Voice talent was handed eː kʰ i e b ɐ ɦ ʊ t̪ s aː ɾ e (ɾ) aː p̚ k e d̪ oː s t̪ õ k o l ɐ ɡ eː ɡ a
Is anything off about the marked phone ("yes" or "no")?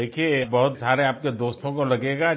yes